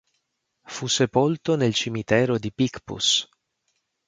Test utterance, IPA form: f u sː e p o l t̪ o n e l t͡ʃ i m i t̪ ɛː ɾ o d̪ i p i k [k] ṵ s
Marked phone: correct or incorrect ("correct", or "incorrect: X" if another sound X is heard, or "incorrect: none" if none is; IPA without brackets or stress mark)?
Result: incorrect: p